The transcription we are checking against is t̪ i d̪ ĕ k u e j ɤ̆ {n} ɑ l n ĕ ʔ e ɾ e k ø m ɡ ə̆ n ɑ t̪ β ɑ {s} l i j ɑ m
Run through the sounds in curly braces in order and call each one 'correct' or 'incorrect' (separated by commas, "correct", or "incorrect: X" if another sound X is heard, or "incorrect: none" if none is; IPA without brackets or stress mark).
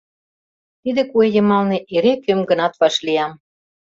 incorrect: m, incorrect: ʃ